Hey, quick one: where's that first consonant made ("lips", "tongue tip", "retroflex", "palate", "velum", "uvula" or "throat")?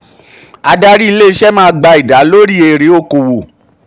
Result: tongue tip